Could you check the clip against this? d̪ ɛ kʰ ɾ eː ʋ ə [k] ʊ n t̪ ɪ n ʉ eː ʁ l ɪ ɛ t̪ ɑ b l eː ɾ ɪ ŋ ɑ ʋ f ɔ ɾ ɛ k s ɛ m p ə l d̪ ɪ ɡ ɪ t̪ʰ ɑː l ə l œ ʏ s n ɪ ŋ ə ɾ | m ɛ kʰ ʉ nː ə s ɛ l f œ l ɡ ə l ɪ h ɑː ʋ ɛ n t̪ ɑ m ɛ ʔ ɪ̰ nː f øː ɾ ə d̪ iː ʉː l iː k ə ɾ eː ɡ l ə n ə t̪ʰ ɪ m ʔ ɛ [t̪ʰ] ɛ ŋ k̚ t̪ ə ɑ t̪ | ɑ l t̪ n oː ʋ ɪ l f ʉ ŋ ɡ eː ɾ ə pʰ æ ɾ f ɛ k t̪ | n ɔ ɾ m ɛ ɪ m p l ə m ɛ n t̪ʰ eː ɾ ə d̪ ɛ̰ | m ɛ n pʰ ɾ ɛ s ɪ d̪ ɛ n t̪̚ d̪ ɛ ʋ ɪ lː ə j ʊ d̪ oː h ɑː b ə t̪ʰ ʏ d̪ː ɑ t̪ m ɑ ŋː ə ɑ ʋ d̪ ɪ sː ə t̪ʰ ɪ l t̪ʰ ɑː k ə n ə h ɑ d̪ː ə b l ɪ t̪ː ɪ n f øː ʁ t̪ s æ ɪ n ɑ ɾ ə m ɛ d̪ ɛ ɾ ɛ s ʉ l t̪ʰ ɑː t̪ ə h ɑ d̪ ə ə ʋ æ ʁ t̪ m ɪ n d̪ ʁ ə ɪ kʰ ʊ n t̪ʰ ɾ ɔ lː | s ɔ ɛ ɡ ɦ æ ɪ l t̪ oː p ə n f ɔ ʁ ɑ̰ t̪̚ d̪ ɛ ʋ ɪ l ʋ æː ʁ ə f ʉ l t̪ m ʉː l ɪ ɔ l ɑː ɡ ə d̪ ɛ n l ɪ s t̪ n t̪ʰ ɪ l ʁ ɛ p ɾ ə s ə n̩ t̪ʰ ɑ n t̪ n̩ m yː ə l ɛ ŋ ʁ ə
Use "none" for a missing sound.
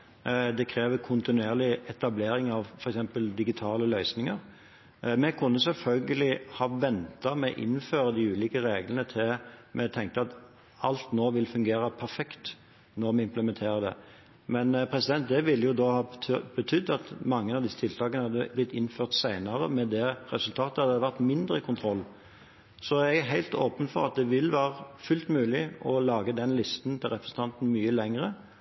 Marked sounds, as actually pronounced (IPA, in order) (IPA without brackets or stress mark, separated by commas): kʰ, t̪ʰ